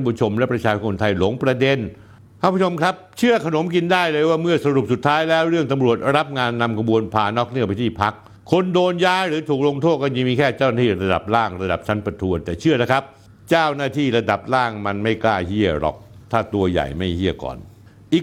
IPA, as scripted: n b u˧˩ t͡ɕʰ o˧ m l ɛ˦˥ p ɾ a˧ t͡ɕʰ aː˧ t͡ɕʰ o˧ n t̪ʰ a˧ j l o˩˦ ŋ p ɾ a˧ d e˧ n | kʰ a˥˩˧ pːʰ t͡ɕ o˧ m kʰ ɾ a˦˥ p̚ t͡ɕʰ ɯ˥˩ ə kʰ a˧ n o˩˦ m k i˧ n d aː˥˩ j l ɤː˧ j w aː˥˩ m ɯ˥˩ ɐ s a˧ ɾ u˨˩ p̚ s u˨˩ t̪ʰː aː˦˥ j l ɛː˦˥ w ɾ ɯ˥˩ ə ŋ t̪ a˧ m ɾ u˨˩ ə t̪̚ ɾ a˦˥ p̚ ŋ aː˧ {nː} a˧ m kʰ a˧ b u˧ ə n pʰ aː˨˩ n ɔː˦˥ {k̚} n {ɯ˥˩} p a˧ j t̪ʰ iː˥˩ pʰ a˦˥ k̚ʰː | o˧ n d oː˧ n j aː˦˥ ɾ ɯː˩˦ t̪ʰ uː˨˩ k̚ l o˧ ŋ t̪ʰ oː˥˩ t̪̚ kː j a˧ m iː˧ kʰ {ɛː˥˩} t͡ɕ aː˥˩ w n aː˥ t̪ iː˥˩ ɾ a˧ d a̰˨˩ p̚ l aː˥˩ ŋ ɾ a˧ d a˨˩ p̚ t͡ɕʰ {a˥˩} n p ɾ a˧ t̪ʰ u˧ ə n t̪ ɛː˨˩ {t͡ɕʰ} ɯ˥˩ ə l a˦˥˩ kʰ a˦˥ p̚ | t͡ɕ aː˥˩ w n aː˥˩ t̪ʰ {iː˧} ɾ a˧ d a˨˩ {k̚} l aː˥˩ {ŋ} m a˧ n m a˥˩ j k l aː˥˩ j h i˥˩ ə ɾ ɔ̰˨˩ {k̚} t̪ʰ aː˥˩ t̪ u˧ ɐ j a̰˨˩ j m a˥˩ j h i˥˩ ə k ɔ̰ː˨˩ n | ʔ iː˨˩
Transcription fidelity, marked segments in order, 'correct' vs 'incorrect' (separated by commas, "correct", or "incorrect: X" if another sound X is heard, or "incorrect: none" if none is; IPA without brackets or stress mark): correct, correct, correct, correct, incorrect: a˦˥, correct, incorrect: iː˥˩, incorrect: p̚, correct, correct